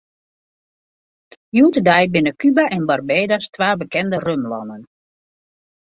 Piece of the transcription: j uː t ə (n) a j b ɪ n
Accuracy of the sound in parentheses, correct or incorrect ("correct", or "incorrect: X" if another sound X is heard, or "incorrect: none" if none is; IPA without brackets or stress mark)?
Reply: incorrect: d